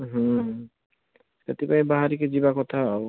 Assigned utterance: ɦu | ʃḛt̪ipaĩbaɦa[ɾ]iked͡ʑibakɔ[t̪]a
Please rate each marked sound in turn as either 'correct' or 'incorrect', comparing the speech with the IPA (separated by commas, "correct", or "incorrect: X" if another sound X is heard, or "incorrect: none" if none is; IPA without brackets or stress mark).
correct, incorrect: t̪ʰ